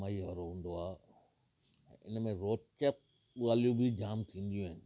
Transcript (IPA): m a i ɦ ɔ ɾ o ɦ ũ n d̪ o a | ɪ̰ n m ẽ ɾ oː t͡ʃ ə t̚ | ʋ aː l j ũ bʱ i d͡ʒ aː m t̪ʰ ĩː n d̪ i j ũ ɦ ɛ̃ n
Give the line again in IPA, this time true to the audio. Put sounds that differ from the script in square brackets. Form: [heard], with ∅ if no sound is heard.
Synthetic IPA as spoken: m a i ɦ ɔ ɾ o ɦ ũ n d̪ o a | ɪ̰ n m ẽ ɾ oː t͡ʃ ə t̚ | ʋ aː l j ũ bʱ i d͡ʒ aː m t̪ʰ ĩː n d̪ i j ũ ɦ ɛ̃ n